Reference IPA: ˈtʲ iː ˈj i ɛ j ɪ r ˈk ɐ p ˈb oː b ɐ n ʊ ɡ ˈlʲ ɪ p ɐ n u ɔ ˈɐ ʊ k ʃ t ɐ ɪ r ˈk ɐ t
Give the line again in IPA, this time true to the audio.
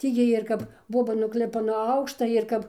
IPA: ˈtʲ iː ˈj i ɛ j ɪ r ˈk ɐ p ˈb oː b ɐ n ʊ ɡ ˈlʲ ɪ p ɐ n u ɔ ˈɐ ʊ k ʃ t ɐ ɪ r ˈk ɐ p